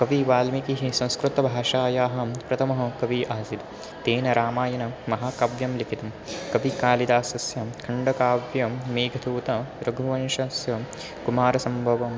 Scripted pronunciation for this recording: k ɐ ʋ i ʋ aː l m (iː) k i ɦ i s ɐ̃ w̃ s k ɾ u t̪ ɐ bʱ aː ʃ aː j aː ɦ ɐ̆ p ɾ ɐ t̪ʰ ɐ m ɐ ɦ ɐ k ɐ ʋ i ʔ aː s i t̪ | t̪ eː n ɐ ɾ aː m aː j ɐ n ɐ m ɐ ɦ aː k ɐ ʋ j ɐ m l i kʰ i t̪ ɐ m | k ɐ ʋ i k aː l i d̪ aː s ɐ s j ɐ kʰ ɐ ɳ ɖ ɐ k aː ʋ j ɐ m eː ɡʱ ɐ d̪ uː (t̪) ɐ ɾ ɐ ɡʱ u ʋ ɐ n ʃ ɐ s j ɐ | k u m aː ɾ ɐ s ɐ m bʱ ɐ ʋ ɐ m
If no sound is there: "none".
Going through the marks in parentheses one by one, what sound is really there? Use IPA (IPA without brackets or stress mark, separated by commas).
i, t̪